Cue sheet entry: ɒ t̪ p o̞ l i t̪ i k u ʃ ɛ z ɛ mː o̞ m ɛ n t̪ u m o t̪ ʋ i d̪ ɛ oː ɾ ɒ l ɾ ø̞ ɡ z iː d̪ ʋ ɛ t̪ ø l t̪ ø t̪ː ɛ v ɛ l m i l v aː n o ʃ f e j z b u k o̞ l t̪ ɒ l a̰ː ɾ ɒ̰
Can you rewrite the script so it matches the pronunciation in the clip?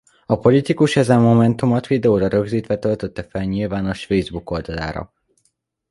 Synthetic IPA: ɒ p o̞ l i t̪ i k u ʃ ɛ z ɛ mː o̞ m ɛ n t̪ u m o t̪ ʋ i d̪ ɛ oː ɾ ɒ ɾ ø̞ ɡ z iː t̪ ʋ ɛ t̪ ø l t̪ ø t̪ː ɛ f ɛ l ɲ i l v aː n o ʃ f e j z b u k o̞ l d̪ ɒ l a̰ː ɾ ɒ̰